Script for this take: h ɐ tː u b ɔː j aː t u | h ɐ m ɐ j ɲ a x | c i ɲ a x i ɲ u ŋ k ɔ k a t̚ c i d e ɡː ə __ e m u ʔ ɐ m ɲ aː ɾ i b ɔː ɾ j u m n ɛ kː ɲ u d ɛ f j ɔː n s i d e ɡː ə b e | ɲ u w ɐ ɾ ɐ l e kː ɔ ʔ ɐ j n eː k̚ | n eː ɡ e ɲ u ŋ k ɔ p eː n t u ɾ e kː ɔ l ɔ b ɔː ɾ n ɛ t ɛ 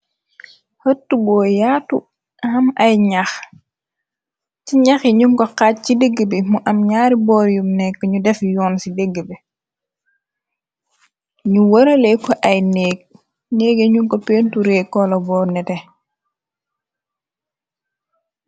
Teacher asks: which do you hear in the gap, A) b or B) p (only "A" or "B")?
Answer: A